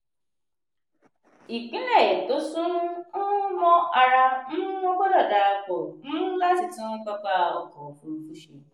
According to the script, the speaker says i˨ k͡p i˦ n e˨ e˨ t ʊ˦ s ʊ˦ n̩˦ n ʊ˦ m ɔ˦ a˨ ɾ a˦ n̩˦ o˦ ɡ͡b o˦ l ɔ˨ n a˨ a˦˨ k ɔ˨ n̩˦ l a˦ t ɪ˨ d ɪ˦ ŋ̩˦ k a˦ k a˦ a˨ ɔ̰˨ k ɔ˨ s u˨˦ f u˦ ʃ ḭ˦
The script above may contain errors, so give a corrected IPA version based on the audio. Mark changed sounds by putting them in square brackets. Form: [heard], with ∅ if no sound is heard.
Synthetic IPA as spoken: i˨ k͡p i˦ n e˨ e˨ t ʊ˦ s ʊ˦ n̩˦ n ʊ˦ m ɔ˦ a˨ ɾ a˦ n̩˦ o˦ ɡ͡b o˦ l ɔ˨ [d] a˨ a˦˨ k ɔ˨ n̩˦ l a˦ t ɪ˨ [t] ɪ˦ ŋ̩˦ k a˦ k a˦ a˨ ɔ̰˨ k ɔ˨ [f] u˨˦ f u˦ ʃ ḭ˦